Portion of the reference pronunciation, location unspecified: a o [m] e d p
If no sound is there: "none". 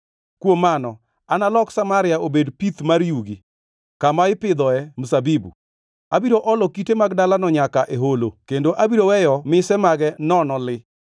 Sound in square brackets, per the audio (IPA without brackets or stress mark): b